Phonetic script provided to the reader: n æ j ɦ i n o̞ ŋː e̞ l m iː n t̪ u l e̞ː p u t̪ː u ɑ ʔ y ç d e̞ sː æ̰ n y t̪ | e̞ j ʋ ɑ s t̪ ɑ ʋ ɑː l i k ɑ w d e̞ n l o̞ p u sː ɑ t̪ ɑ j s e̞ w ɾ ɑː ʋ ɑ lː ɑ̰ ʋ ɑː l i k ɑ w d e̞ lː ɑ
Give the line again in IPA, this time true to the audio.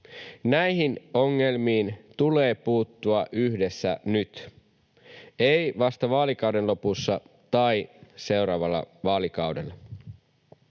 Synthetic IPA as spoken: n æ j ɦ i n o̞ ŋː e̞ l m iː n t̪ u l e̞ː p uː t̪ː u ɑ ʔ y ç d e̞ sː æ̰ n y t̪ | e̞ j ʋ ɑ s t̪ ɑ ʋ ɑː l i k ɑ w d e̞ n l o̞ p u sː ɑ t̪ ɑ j s e̞ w ɾ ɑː ʋ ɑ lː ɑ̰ ʋ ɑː l i k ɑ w d e̞ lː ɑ